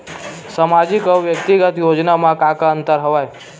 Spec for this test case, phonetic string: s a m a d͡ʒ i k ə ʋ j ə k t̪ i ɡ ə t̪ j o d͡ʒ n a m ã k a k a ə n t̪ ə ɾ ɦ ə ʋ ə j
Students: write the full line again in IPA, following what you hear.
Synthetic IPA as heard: s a m a d͡ʒ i k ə ʋ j ə k t̪ i ɡ ə t̪ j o d͡ʒ n a m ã k a k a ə n t̪ ə ɾ ɦ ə ʋ a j